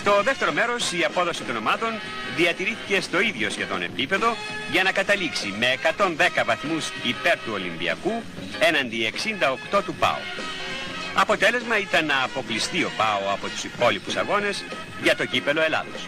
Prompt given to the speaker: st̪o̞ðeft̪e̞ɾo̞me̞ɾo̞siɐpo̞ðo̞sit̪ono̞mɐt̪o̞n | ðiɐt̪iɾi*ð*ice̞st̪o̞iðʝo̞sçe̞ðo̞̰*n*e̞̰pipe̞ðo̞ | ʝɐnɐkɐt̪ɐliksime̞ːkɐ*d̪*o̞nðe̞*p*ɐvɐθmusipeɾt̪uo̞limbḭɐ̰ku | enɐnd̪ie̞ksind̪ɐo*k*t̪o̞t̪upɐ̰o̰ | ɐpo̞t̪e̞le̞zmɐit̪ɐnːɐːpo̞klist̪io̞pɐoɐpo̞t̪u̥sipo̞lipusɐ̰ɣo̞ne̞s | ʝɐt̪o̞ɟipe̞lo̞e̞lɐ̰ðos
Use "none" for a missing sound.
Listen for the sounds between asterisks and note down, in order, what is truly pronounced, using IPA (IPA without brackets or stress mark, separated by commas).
θ, n, t̪, k, k